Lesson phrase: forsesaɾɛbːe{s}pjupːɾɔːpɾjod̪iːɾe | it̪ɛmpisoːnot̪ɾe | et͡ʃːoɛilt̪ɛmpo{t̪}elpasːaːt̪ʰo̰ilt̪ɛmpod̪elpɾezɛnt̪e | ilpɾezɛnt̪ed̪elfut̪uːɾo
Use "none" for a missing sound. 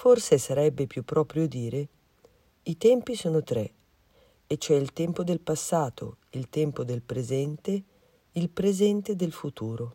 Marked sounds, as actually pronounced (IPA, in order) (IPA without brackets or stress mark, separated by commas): none, d̪